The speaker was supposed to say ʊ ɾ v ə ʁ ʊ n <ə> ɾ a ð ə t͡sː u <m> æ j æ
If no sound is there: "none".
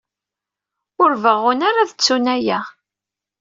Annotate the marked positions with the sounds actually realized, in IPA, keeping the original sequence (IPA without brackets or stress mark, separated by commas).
a, n